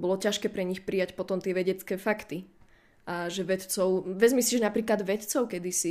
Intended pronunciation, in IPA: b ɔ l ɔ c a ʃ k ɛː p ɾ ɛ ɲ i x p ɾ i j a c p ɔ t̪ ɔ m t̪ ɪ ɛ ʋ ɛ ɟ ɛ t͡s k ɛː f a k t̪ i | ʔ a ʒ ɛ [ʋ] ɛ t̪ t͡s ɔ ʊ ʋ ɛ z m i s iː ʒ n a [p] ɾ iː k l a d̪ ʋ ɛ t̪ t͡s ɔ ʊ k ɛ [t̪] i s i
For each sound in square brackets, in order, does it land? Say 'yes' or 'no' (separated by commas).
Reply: yes, yes, no